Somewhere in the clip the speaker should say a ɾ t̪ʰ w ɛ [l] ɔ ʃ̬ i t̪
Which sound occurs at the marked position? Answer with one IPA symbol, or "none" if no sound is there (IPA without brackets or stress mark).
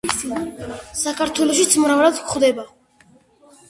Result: l